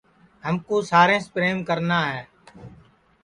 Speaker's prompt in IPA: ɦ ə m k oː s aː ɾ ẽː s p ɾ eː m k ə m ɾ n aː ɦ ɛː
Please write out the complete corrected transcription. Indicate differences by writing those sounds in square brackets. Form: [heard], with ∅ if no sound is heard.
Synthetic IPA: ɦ ə m k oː s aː ɾ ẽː s p ɾ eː m k ə [∅] ɾ n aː ɦ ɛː